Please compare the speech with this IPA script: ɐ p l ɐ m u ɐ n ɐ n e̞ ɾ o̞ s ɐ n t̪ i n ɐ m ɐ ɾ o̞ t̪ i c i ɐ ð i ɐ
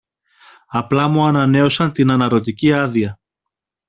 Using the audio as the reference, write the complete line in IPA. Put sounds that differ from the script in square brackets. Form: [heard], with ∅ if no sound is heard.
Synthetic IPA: ɐ p l ɐ m u ɐ n ɐ n e̞ [∅] o̞ s ɐ n t̪ i n ɐ [n] ɐ ɾ o̞ t̪ i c i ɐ ð i ɐ